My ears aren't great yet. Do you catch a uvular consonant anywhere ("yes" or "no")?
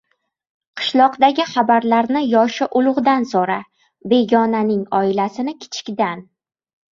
yes